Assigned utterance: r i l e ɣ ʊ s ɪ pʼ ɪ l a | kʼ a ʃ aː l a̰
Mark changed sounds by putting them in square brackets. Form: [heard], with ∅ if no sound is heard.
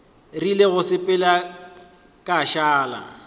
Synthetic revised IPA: r i l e ɣ ʊ s ɪ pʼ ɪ l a | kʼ a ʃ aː l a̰